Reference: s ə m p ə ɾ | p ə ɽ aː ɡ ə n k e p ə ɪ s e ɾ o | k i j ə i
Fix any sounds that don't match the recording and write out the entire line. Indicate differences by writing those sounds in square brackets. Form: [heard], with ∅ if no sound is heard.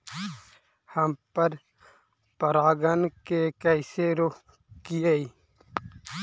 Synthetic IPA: [h] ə m p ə ɾ | p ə [ɾ] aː ɡ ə n k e [k] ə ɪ s e ɾ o | k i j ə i